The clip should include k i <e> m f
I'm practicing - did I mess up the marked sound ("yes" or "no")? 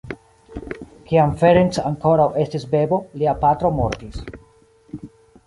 yes